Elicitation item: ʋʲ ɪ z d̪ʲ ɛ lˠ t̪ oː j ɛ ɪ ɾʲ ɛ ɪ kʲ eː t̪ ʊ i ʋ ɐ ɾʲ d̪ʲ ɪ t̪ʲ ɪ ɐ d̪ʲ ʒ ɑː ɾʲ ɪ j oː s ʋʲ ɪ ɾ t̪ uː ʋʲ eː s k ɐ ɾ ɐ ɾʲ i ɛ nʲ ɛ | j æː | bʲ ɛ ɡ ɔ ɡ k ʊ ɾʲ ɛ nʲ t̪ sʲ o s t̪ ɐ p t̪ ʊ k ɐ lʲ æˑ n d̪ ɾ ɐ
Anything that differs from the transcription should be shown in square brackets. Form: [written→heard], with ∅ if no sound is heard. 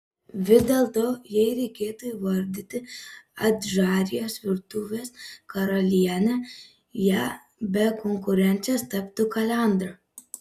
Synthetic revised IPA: ʋʲ ɪ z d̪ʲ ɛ lˠ t̪ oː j ɛ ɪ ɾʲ ɛ ɪ kʲ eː t̪ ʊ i ʋ ɐ ɾʲ d̪ʲ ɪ t̪ʲ ɪ ɐ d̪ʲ ʒ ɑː ɾʲ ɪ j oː s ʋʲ ɪ ɾ t̪ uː ʋʲ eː s k ɐ ɾ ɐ [ɾʲ→lʲ] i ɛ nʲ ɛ | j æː | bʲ ɛ [ɡ→k] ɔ [ɡ→ŋ] k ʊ ɾʲ ɛ nʲ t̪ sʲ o s t̪ ɐ p t̪ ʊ k ɐ lʲ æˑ n d̪ ɾ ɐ